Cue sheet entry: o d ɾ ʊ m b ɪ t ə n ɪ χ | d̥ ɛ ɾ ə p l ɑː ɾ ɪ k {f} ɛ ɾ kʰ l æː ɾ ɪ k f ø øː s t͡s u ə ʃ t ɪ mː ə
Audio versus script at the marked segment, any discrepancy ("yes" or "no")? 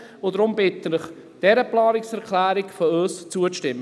yes